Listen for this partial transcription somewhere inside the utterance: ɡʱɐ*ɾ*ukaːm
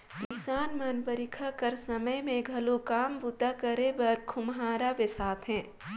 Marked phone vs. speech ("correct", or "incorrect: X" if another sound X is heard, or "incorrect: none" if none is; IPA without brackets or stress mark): incorrect: l